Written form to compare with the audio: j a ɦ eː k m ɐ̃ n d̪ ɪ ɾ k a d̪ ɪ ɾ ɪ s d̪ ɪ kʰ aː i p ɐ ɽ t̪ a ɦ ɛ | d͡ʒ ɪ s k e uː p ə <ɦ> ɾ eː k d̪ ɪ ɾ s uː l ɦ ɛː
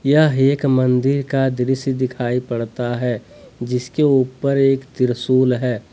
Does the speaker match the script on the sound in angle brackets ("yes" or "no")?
no